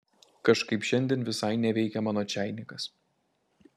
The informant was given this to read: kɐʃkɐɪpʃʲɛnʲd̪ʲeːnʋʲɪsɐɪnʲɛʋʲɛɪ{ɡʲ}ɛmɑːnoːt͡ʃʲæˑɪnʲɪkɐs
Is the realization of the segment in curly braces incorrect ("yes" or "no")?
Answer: yes